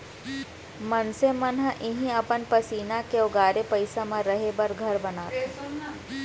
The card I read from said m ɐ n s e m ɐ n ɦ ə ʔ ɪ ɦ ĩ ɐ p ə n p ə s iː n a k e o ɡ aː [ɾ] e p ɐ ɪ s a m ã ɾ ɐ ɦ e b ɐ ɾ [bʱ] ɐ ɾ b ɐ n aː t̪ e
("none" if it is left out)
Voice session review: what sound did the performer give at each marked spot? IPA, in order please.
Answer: ɾ, ɡʱ

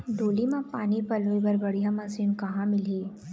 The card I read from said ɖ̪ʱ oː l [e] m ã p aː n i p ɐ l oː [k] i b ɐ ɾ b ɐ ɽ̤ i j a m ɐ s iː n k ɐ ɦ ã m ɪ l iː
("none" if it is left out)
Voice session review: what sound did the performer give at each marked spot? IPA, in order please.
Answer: i, none

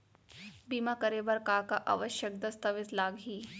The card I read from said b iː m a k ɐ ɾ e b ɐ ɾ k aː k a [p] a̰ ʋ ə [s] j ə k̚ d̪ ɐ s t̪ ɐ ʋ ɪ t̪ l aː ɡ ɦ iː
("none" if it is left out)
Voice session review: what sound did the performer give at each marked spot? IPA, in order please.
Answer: ʔ, ʃ

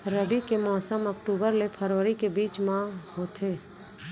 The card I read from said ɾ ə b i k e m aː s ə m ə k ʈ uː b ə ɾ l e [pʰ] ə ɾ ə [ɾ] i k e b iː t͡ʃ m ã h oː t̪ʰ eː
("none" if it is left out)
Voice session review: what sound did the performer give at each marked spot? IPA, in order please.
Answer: pʰ, ɾ

